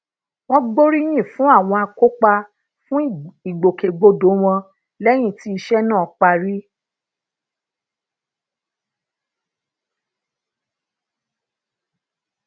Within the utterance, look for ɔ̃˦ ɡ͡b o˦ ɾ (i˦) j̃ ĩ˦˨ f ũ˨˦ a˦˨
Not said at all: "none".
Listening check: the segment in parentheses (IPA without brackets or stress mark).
i˦